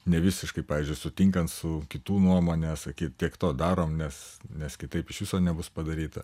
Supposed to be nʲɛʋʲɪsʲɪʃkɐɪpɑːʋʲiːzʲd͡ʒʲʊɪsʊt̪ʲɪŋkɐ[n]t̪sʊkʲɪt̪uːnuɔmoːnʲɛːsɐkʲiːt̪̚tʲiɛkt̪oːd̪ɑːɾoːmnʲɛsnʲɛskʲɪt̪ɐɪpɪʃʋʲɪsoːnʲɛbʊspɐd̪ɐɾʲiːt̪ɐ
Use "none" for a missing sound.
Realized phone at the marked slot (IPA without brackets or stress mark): n